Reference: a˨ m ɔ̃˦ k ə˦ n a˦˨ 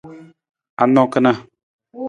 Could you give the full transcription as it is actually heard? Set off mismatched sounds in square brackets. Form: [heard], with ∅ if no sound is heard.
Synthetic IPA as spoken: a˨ [n] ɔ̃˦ k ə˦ n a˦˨